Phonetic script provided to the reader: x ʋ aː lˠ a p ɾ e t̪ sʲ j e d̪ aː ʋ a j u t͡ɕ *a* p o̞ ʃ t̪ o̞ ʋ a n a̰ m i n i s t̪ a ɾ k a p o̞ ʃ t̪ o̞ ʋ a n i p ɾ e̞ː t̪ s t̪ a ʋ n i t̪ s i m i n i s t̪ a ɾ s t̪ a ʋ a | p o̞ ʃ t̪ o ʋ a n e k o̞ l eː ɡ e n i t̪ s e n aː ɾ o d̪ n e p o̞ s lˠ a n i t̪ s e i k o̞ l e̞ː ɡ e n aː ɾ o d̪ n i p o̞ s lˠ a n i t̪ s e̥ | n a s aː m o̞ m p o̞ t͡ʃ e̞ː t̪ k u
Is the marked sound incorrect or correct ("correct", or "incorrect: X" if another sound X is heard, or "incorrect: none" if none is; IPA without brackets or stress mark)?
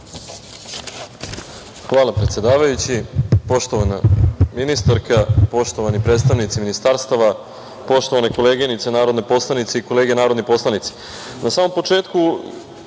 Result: incorrect: i